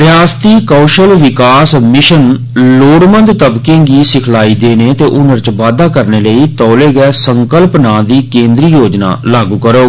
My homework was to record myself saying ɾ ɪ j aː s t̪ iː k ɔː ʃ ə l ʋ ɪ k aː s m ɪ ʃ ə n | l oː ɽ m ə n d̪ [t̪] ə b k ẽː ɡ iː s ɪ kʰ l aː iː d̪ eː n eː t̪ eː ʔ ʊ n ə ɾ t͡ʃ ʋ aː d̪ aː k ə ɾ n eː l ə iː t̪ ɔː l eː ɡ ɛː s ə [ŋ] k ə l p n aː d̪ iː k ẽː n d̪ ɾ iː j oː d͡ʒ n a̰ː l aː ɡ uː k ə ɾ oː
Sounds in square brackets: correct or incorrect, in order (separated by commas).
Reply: correct, correct